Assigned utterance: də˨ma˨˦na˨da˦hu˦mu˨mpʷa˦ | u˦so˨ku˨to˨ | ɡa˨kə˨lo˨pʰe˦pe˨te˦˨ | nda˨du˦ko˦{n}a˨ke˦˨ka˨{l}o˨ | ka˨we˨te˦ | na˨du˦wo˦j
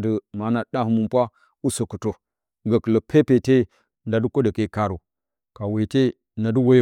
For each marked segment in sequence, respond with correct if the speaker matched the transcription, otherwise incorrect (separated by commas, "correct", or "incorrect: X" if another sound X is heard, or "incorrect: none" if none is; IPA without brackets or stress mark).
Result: incorrect: d, incorrect: ɾ